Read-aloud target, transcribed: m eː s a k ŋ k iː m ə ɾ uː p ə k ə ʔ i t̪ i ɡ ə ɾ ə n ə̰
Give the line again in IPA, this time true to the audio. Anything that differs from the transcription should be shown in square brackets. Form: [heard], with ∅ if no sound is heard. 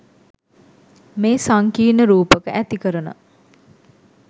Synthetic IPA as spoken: m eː s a [∅] ŋ k iː [n] ə ɾ uː p ə k ə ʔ [æ] t̪ i [k] ə ɾ ə n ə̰